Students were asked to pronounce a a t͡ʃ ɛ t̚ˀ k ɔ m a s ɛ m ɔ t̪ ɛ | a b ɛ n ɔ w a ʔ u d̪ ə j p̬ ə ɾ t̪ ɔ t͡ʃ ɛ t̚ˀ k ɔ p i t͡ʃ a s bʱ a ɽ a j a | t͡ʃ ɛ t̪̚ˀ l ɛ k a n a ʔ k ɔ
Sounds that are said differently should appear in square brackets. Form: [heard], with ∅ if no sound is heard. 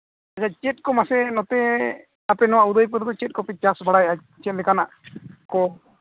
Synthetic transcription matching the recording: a a t͡ʃ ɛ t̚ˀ k ɔ m a s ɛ [n] ɔ t̪ ɛ | a [p] ɛ n ɔ w a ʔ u d̪ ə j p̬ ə ɾ [d̪] ɔ t͡ʃ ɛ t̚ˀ k ɔ p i t͡ʃ a s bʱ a ɽ a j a | t͡ʃ ɛ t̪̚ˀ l ɛ k a n a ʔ k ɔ